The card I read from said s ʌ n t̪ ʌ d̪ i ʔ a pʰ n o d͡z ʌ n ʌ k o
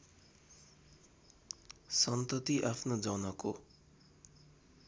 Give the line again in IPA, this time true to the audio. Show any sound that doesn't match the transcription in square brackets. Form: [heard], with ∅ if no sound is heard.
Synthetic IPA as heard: s ʌ n t̪ ʌ [t̪] i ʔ a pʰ n o d͡z ʌ n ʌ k o